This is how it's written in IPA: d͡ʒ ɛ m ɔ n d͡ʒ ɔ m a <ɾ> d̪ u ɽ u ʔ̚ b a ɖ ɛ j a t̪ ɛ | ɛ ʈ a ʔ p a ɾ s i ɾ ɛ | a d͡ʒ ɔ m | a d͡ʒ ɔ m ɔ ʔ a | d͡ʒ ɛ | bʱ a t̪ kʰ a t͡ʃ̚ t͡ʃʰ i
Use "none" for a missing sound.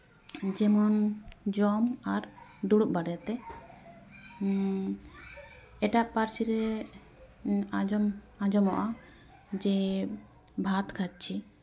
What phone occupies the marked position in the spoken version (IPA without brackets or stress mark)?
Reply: ɾ